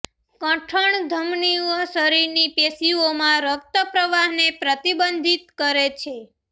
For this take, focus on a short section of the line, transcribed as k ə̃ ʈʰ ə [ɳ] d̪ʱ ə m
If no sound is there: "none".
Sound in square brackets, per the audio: ɳ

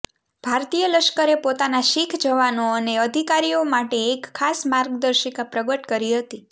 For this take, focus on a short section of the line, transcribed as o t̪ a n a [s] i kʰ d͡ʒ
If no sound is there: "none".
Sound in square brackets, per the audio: ʃ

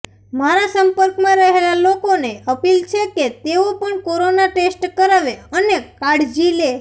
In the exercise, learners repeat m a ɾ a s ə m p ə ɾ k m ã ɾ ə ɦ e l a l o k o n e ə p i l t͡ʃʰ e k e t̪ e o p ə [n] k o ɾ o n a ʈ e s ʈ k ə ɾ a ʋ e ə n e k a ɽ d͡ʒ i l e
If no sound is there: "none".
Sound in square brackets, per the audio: ɳ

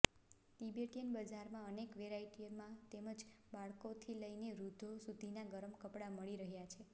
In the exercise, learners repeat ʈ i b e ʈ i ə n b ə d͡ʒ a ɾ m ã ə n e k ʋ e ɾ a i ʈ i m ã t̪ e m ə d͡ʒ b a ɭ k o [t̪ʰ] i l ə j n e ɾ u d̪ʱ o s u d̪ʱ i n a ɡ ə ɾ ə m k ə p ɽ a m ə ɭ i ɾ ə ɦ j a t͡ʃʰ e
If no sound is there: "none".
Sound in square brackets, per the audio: t̪ʰ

